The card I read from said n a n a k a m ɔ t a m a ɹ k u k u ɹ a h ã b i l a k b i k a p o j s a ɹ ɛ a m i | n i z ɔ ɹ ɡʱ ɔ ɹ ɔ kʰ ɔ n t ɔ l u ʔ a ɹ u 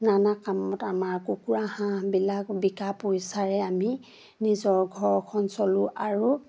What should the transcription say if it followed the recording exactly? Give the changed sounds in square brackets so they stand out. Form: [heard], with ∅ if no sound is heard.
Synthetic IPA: n a n a k a m ɔ t a m a ɹ k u k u ɹ a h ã b i l a k b i k a p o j s a ɹ ɛ a m i | n i z ɔ ɹ ɡʱ ɔ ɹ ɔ kʰ ɔ n [s] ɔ l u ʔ a ɹ u